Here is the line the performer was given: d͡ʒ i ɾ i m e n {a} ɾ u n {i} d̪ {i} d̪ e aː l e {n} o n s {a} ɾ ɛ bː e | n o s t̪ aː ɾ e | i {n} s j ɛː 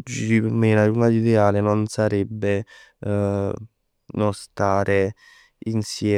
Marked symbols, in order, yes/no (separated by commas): yes, no, yes, yes, yes, yes